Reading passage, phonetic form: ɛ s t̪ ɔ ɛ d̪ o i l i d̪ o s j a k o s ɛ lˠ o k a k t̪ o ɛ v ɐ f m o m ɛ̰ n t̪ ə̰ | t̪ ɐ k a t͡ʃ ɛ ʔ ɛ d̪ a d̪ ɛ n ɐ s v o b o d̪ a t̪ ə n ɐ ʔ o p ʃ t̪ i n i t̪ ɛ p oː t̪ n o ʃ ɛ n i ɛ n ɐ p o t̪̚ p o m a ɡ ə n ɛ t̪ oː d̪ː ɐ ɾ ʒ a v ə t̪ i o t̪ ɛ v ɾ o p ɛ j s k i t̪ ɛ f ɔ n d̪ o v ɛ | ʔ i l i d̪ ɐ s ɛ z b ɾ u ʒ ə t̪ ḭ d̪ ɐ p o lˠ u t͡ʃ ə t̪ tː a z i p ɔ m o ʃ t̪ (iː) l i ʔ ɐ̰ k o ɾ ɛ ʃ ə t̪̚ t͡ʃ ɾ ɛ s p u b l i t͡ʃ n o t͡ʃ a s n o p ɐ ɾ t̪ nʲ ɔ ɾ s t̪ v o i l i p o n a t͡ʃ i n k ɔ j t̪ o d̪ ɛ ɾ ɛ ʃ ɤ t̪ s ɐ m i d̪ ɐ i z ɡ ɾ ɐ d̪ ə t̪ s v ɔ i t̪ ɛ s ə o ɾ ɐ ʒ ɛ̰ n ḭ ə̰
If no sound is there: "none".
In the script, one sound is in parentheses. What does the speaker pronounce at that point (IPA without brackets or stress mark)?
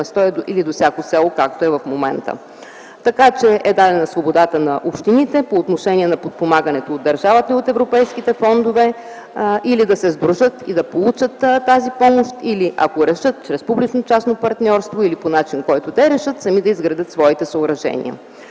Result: i